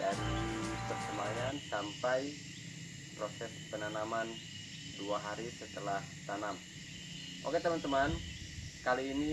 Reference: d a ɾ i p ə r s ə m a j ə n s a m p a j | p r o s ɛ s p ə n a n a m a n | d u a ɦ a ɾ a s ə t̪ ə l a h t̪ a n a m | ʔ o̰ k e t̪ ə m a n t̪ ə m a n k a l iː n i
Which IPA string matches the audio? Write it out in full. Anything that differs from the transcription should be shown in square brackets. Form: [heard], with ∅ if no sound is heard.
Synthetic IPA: d a ɾ i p ə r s ə m a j [a] n s a m p a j | p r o s ɛ s p ə n a n a m a n | d u a ɦ a ɾ [i] s ə t̪ ə l a h t̪ a n a m | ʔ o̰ k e t̪ ə m a n t̪ ə m a n k a l iː n i